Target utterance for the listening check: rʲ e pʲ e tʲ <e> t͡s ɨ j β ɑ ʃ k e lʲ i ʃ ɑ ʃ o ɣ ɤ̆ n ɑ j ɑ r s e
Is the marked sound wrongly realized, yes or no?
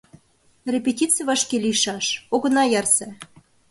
yes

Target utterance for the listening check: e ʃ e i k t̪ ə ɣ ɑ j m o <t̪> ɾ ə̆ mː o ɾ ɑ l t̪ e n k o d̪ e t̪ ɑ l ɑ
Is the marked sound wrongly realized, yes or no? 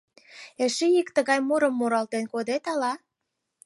yes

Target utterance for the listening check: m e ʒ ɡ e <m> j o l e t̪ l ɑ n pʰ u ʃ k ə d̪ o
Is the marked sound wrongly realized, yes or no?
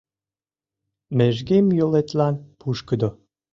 no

